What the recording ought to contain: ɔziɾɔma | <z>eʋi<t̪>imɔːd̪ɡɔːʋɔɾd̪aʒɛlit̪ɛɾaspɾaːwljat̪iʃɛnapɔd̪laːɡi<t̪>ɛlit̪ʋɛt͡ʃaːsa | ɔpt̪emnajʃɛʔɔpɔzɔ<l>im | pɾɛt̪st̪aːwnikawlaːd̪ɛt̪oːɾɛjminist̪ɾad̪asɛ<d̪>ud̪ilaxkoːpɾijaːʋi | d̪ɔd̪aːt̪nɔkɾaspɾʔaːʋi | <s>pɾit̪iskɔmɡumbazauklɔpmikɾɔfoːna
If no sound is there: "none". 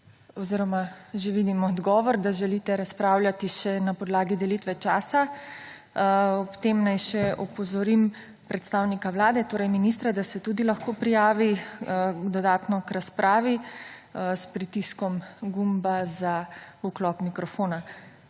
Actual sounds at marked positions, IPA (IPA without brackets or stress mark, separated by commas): ʒ, d̪, d̪, ɾ, t̪, s